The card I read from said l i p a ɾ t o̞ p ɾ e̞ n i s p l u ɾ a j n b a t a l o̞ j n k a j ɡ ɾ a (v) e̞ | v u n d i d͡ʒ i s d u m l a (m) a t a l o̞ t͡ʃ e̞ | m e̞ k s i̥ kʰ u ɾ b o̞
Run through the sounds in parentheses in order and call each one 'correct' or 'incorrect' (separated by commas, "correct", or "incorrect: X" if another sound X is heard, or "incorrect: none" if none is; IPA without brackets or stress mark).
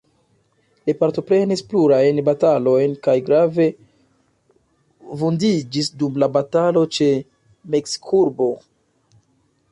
correct, incorrect: b